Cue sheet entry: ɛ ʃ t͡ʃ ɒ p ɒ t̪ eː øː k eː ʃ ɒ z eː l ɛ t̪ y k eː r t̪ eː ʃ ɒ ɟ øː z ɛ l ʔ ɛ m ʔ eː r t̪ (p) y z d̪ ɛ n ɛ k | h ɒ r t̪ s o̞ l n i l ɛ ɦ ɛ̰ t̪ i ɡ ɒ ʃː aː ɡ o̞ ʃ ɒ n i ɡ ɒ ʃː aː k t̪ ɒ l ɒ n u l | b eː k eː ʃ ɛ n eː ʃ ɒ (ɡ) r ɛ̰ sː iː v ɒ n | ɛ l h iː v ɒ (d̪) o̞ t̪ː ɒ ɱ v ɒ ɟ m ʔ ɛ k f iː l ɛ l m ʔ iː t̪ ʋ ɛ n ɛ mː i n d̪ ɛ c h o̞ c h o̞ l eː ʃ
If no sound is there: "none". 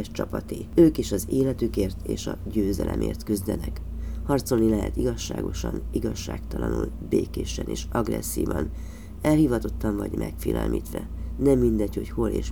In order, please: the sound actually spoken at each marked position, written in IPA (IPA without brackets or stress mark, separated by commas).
k, ɡ, t̪